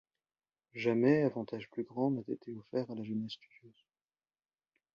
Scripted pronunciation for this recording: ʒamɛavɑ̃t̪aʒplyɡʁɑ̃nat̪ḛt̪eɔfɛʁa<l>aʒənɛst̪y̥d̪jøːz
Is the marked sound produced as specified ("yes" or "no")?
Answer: yes